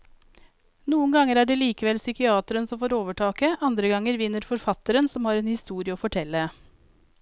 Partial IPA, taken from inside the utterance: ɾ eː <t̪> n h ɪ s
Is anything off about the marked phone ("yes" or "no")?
yes